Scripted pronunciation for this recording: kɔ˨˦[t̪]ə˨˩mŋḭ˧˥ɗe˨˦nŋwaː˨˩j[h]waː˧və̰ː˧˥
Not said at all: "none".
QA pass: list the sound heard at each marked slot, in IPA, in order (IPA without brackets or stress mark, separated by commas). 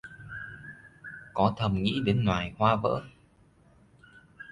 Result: t̪ʰ, h